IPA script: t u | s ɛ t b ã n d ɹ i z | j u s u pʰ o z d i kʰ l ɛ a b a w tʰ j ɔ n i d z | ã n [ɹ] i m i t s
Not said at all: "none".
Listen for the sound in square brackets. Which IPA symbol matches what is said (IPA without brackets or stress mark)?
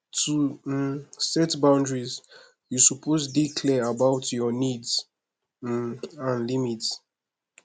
l